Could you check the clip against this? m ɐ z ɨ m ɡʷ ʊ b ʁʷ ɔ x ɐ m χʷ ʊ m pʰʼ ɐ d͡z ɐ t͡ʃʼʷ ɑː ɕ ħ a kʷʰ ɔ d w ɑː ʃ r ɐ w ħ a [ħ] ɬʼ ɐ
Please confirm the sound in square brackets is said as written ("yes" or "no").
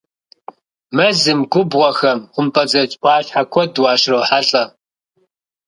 no